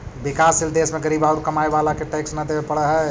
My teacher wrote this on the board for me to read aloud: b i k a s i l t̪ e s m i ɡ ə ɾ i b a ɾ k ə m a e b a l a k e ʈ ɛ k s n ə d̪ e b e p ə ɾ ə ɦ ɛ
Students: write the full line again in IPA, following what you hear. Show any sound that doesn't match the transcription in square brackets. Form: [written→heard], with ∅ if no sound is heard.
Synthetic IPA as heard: b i k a s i l [t̪→d̪] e s m [i→e] ɡ ə ɾ i b a ɾ k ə m a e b a l a k e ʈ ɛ k s n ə d̪ e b e p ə [ɾ→ɽ] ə ɦ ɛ